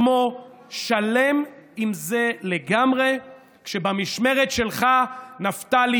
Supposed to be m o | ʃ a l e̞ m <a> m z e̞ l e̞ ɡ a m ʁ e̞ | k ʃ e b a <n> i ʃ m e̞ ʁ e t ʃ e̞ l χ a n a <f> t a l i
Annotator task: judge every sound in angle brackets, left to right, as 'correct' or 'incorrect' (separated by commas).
incorrect, incorrect, correct